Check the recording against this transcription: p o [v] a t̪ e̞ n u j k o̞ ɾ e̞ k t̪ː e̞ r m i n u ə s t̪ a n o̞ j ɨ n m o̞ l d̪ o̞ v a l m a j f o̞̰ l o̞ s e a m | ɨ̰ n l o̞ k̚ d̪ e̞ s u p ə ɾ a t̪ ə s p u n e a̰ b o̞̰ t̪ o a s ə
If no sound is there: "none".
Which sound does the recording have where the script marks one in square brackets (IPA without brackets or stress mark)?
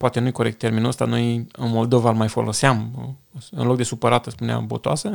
none